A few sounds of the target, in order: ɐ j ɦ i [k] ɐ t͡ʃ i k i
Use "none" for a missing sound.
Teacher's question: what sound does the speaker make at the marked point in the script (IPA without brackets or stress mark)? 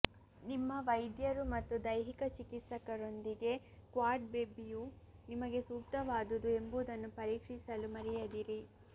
k